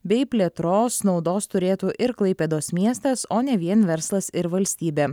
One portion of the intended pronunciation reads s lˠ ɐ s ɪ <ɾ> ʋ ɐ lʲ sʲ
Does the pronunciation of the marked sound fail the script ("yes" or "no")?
no